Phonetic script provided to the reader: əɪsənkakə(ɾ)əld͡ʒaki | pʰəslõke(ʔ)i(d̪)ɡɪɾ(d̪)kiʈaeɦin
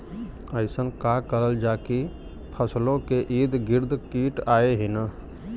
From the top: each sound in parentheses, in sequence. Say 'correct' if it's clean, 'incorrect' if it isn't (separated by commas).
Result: correct, correct, correct, correct